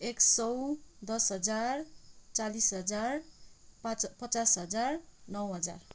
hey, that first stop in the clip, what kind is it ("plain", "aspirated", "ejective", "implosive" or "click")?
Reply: plain